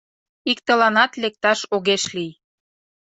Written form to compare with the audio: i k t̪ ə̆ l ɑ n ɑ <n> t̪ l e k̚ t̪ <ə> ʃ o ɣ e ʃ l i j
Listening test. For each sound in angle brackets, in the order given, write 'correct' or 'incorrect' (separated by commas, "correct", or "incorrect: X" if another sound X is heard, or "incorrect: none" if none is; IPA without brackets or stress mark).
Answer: incorrect: none, incorrect: ɑ